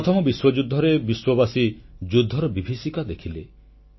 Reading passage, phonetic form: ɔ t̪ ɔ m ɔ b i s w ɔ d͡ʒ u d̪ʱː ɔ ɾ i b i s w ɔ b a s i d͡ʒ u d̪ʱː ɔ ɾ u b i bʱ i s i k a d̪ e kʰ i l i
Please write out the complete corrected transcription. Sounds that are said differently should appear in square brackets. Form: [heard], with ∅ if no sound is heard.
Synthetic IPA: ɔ [t̪ʰ] ɔ m ɔ b i s w ɔ d͡ʒ u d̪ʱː ɔ ɾ [e] b i s w ɔ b a s i d͡ʒ u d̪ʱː ɔ ɾ [ɔ] b i bʱ i s i k a d̪ e kʰ i l [e]